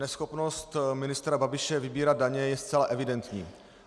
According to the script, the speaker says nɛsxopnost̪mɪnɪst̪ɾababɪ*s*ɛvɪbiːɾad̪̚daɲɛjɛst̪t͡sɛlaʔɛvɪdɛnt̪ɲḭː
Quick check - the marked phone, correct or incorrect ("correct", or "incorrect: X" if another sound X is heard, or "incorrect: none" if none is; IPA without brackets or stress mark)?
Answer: incorrect: ʃ